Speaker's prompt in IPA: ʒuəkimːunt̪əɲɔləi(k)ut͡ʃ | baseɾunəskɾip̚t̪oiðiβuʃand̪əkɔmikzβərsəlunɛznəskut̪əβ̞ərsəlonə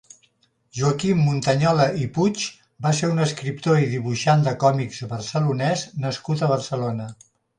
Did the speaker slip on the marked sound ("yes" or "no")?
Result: yes